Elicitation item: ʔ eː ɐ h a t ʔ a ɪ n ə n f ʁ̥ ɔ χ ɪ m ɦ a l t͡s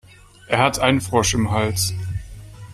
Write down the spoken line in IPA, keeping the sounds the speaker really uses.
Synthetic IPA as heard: ʔ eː ɐ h a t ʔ a ɪ n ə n f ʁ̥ ɔ ʃ ɪ m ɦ a l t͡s